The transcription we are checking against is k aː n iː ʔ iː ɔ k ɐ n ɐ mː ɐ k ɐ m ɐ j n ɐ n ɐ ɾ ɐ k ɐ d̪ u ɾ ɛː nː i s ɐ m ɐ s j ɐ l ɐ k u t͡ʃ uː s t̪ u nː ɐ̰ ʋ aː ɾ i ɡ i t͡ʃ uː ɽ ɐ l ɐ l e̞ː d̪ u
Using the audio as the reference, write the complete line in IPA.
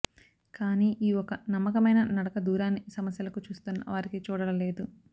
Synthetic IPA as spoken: k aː n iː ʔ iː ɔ k ɐ n ɐ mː ɐ k ɐ m ɐ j n ɐ n ɐ ɽ ɐ k ɐ d̪ uː ɾ aː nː i s ɐ m ɐ s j ɐ l ɐ k u t͡ʃ uː s t̪ u nː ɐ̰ ʋ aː ɾ i k i t͡ʃ uː ɽ ɐ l ɐ l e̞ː d̪ u